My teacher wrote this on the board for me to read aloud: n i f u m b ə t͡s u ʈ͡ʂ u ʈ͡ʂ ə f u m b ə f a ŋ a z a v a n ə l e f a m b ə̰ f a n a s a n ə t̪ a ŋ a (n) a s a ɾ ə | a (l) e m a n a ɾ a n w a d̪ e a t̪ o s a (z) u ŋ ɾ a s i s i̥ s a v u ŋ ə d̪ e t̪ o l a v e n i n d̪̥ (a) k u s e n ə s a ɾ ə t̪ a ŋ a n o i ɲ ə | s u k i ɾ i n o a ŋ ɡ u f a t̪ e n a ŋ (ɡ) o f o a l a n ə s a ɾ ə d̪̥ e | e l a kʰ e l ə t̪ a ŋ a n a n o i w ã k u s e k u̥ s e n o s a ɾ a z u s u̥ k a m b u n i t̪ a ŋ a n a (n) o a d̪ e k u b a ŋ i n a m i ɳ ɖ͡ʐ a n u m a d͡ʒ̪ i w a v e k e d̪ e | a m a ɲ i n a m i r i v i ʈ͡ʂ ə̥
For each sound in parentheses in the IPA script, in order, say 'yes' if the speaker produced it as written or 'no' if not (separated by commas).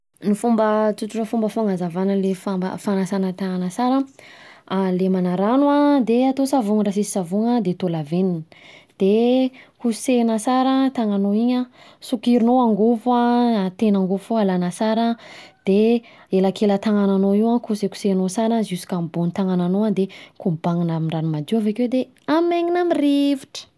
yes, yes, no, no, yes, yes